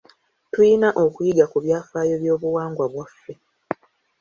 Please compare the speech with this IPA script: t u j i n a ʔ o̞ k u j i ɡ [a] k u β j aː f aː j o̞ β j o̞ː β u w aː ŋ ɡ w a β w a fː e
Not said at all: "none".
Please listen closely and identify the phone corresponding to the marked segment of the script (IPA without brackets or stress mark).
a